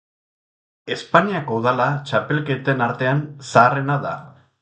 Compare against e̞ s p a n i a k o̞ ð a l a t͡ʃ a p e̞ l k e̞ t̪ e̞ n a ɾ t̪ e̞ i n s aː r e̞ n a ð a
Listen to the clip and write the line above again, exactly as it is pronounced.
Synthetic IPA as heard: e̞ s p a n i a k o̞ ð a l a t͡ʃ a p e̞ l k e̞ t̪ e̞ n a ɾ t̪ e̞ a n s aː r e̞ n a ð a